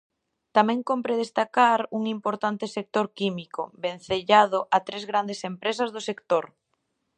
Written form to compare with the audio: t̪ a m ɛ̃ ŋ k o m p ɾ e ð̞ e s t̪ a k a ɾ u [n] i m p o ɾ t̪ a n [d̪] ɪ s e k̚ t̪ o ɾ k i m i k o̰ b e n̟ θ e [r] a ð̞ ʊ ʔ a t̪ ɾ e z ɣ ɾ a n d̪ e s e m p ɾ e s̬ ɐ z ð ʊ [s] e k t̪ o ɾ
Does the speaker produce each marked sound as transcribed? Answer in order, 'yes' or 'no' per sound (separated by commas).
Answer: no, no, no, yes